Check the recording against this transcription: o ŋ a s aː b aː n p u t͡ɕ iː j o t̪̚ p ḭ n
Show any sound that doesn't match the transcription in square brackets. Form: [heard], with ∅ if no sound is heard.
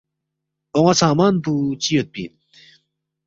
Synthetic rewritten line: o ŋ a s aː [m] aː n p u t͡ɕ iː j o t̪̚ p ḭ n